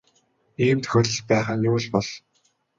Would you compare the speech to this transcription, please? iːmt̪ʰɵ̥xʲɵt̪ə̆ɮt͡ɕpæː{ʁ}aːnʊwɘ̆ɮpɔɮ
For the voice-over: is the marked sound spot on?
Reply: no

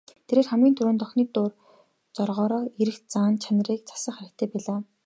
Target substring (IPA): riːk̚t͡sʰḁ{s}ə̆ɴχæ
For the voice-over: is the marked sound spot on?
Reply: yes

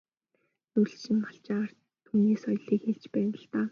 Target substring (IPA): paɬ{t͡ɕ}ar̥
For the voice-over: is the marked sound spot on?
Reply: yes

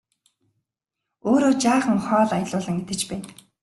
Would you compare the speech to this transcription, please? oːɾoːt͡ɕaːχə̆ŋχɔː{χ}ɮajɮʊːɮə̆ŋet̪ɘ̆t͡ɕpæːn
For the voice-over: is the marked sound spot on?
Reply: no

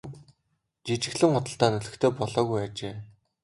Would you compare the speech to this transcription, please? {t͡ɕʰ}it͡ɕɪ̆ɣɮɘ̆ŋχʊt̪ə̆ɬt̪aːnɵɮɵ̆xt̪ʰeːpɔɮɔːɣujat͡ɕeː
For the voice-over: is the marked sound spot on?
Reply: no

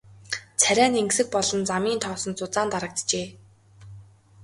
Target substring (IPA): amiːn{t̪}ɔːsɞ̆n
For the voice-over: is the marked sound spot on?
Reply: no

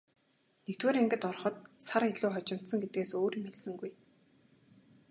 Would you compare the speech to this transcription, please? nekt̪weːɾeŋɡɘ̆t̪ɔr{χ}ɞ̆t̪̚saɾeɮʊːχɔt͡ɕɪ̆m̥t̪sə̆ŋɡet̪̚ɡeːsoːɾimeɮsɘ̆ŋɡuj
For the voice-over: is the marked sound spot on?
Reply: yes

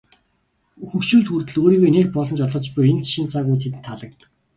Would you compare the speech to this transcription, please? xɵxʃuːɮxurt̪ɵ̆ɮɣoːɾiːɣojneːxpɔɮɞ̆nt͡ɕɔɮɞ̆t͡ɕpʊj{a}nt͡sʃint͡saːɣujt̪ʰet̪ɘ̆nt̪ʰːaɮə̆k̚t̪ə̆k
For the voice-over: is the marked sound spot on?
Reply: no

